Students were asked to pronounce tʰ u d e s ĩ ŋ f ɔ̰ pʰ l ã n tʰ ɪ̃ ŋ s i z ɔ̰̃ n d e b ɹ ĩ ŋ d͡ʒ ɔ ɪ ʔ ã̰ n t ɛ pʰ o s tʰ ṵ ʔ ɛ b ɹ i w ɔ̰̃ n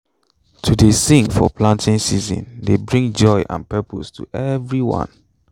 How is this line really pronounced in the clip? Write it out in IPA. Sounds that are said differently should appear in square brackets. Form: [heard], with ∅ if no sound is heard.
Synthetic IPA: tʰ u d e s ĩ ŋ f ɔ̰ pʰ l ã n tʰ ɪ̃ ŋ s i z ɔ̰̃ n d e b ɹ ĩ ŋ d͡ʒ ɔ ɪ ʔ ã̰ n [p] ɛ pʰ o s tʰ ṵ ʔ ɛ [v] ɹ i w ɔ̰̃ n